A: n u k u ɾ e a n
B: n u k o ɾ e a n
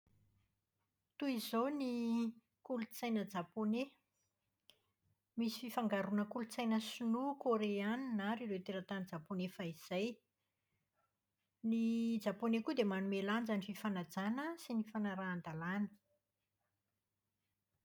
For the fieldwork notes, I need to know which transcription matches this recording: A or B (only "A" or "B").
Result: B